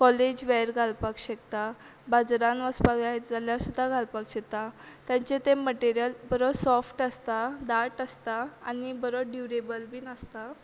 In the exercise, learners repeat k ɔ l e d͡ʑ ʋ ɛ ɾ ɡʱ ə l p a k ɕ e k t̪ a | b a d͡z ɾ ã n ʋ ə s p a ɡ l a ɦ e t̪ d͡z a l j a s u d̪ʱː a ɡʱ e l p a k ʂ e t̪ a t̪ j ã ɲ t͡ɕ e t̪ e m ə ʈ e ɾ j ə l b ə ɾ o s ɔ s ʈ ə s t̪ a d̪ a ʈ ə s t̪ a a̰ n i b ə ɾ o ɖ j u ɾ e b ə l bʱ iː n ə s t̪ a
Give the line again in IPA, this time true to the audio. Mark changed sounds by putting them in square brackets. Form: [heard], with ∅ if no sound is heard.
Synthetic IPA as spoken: k ɔ l e d͡ʑ ʋ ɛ ɾ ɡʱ [a] l p a k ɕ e k t̪ a | b a d͡z ɾ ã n ʋ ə s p a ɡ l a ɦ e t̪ d͡z a l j a s u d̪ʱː a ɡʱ [a] l p a k [ɕ] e t̪ a t̪ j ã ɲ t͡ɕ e t̪ e m ə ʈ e ɾ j ə l b ə ɾ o s ɔ [f] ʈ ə s t̪ a d̪ a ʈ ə s t̪ a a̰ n i b ə ɾ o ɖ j u ɾ e b ə l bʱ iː n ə s t̪ a

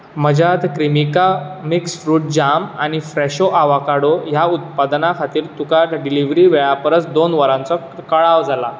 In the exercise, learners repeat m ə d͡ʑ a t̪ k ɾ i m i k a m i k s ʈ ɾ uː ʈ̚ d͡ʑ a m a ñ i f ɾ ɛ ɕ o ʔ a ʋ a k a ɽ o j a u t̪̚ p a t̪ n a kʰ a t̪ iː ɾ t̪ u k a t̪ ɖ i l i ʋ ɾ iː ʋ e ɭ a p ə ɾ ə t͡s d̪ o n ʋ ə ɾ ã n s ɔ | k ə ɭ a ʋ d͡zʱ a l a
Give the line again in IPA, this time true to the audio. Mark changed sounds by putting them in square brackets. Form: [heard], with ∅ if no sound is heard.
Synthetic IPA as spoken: m ə d͡ʑ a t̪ k ɾ i m i k a m i k s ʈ ɾ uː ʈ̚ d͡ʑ a m a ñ i f ɾ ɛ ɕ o ʔ a ʋ a k a ɽ o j a u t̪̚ p a [d̪] n a kʰ a t̪ iː ɾ t̪ u k a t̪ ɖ i l i ʋ ɾ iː ʋ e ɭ a p ə ɾ ə t͡s d̪ o n ʋ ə ɾ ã n [t͡s] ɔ | k ə ɭ a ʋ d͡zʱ a l a

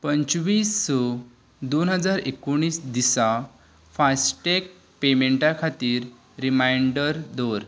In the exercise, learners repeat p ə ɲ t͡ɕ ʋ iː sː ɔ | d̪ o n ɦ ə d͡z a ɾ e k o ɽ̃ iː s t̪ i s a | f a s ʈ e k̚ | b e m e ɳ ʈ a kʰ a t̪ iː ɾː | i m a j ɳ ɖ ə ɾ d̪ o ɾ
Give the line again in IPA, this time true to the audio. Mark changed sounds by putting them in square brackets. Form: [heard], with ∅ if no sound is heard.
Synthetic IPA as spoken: p ə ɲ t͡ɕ ʋ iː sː ɔ | d̪ o n ɦ ə d͡z a ɾ e k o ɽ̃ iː s [d̪] i s a | f a s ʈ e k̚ | [p] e m e ɳ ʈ a kʰ a t̪ iː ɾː | i m a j ɳ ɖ ə ɾ d̪ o ɾ

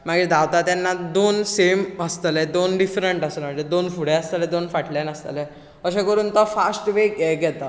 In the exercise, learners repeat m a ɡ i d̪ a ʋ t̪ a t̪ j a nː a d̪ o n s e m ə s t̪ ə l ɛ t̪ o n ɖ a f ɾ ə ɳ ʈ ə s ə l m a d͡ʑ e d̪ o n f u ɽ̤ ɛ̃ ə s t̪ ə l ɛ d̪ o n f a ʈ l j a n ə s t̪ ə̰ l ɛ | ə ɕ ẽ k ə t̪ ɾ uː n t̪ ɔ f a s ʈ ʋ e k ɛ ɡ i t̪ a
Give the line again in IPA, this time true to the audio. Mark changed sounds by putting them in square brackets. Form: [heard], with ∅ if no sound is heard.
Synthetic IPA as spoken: m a ɡ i d̪ a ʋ t̪ a t̪ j a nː a d̪ o n s e m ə s t̪ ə l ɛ [d̪] o n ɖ [i] f ɾ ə ɳ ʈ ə s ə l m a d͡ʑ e d̪ o n f u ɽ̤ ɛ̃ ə s t̪ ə l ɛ d̪ o n f a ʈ l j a n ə s t̪ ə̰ l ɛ | ə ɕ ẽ k ə [∅] ɾ uː n t̪ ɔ f a s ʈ ʋ e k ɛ ɡ [ɛ] t̪ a

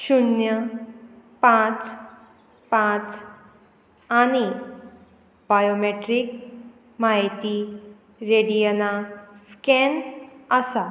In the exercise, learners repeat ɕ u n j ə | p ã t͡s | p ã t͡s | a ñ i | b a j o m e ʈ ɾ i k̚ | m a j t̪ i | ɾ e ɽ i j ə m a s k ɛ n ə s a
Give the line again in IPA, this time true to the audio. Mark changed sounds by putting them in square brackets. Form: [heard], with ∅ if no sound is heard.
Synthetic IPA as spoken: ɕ u n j ə | p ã t͡s | p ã t͡s | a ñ i | b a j o m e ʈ ɾ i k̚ | m a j t̪ i | ɾ e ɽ i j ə [n] a s k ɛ n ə s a

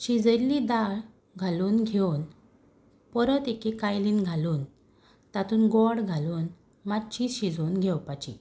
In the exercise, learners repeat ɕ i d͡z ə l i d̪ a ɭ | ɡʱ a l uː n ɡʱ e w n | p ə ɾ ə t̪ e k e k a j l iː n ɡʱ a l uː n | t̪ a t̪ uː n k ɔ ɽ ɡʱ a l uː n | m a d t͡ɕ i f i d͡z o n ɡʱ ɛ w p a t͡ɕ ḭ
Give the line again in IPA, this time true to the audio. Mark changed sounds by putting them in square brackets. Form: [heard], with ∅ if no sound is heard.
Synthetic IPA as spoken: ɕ i d͡z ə l i d̪ a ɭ | ɡʱ a l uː n ɡʱ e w n | p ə ɾ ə t̪ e k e k a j l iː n ɡʱ a l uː n | t̪ a t̪ uː n [ɡ] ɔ ɽ ɡʱ a l uː n | m a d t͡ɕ i [ɕ] i d͡z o n ɡʱ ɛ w p a t͡ɕ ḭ

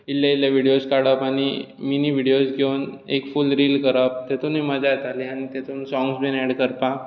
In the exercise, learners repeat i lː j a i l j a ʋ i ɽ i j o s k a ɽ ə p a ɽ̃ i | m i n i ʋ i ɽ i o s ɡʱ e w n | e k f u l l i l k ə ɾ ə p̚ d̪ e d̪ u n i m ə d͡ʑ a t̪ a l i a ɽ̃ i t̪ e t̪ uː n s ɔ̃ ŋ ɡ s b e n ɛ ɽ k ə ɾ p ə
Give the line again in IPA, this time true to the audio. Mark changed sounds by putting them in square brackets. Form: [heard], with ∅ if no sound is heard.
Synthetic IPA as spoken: i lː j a i l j a ʋ i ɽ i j o s k a ɽ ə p a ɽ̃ i | m i n i ʋ i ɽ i o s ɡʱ e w n | e k f u l [ɾ] i l k ə ɾ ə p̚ [t̪] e [t̪] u n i m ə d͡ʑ a t̪ a l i a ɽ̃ i t̪ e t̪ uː n s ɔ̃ ŋ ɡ s b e n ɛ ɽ k ə ɾ p [a]

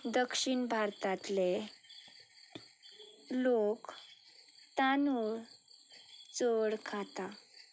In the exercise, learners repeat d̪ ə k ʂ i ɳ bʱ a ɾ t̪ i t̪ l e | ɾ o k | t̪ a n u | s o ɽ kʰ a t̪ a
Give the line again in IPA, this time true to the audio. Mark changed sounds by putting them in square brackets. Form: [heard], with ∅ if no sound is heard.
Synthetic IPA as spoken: d̪ ə k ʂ i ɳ bʱ a ɾ t̪ [a] t̪ l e | [l] o k | t̪ a n u | [t͡s] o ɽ kʰ a t̪ a

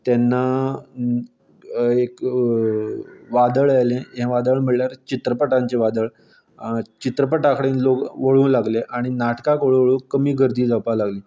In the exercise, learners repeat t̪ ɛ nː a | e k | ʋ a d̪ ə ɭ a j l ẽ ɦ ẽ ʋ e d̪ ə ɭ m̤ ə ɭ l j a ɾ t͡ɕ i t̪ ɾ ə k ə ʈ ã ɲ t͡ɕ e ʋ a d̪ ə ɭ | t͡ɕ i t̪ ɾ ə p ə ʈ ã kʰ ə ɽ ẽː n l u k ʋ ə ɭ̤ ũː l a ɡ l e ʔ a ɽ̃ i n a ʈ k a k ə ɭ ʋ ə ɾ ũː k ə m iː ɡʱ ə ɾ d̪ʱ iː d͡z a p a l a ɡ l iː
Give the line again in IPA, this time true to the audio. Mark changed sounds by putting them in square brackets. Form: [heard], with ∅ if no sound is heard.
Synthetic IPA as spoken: t̪ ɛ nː a | e k | ʋ a d̪ ə ɭ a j l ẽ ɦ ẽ ʋ [a] d̪ ə ɭ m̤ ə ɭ l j a ɾ t͡ɕ i t̪ ɾ ə [p] ə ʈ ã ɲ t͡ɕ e ʋ a d̪ ə ɭ | t͡ɕ i t̪ ɾ ə p ə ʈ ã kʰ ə ɽ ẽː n l [o] k ʋ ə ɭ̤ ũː l a ɡ l e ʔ a ɽ̃ i n a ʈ k a k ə ɭ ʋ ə [ɭ] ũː k ə m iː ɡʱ ə ɾ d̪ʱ iː d͡z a p a l a ɡ l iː

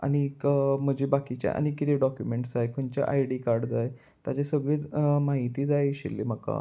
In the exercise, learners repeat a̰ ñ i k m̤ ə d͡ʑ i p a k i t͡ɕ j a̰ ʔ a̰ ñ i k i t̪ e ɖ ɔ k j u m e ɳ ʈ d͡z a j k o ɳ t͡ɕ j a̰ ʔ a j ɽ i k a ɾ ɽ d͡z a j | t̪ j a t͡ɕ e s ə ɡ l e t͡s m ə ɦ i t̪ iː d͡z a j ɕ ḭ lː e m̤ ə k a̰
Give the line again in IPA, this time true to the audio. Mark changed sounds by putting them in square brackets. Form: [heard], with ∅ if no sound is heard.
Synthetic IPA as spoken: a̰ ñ i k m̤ ə d͡ʑ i [b] a k i t͡ɕ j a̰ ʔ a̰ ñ i k i t̪ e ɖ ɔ k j u m e ɳ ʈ d͡z a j k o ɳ t͡ɕ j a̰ ʔ a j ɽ i k a ɾ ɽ d͡z a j | t̪ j a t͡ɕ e s ə ɡ [ɭ] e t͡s m [a] ɦ i t̪ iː d͡z a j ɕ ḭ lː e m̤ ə k a̰

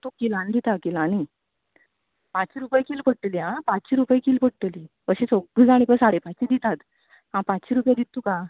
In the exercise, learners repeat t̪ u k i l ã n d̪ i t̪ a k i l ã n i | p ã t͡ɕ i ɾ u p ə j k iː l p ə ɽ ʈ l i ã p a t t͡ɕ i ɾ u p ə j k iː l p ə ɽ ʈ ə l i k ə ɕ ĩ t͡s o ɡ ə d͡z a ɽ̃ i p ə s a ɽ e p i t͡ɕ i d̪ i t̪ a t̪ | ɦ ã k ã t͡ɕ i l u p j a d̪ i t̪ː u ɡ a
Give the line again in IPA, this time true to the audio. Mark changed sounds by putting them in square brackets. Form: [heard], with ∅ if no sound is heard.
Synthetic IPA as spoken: t̪ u k i l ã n d̪ i t̪ a k i l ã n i | p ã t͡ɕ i ɾ u p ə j k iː l p ə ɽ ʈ l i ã p a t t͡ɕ i ɾ u p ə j k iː l p ə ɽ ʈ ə l i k ə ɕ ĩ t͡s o ɡ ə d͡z a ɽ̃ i p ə s a ɽ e p [a] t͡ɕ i d̪ i t̪ a t̪ | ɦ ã [p] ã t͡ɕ i [ɾ] u p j a d̪ i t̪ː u [k] a

